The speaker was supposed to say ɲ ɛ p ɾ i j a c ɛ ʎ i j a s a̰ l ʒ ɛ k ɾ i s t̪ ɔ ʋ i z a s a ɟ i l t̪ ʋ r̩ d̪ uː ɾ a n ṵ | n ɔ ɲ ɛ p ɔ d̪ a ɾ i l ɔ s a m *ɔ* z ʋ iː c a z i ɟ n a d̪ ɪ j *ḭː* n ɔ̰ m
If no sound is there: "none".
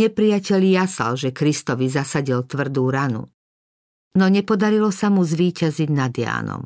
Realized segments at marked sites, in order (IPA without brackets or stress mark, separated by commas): u, a̰ː